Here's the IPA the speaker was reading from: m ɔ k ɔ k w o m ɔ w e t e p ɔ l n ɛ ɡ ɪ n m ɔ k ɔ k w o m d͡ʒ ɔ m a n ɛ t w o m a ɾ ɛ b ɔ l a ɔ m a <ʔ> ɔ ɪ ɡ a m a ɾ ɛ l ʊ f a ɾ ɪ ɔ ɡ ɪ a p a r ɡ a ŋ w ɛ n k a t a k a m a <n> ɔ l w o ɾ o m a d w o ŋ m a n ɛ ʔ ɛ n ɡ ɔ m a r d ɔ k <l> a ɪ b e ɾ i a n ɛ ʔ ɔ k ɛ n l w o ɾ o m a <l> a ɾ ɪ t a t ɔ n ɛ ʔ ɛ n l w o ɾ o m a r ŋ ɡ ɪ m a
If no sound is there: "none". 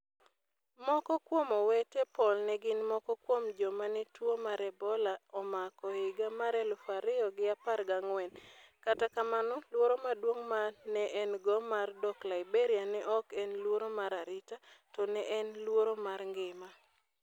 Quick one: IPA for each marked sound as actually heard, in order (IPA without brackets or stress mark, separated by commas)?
k, n, l, ɾ